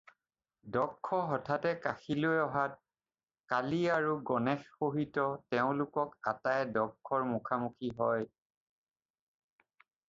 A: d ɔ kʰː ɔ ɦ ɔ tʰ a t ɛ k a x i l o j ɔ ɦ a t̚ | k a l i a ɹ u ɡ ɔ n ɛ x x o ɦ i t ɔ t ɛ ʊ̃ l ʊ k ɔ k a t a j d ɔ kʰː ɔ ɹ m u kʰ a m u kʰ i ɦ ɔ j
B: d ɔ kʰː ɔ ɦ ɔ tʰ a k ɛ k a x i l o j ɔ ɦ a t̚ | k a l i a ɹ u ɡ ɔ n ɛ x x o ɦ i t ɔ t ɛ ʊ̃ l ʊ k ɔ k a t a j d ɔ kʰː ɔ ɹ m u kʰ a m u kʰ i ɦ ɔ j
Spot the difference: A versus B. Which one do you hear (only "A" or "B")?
A